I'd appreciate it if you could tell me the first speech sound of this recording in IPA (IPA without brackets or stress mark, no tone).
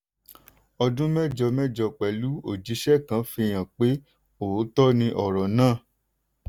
ɔ